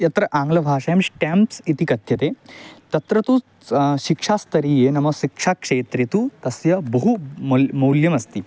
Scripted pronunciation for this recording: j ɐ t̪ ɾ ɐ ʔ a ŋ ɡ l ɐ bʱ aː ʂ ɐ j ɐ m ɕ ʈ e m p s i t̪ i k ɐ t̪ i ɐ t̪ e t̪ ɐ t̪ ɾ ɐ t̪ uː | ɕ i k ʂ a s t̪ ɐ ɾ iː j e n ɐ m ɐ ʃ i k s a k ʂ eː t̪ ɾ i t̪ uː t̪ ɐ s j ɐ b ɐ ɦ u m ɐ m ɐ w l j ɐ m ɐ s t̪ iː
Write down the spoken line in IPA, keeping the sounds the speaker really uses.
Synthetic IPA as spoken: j ɐ t̪ ɾ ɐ ʔ a ŋ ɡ l ɐ bʱ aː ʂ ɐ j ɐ m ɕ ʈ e m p s i t̪ i k ɐ t̪ j ɐ t̪ e t̪ ɐ t̪ ɾ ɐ t̪ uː | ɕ i k ʂ a s t̪ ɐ ɾ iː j e n ɐ m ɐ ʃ i k ʂ a k ʂ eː t̪ ɾ i t̪ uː t̪ ɐ s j ɐ b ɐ ɦ u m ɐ m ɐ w l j ɐ m ɐ s t̪ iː